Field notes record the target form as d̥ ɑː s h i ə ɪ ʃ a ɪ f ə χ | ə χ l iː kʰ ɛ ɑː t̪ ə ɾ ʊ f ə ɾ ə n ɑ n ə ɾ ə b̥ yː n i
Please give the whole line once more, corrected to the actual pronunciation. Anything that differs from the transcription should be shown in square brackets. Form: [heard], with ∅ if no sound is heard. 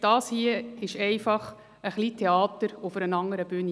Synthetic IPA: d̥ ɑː s h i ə ɪ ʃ [ɛ] ɪ f [ɑ] χ | ə χ l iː [tʰ] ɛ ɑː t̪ ə ɾ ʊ f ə ɾ ə n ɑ [ŋ] ə ɾ ə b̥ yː n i